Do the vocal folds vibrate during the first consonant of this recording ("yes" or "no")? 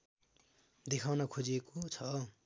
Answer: yes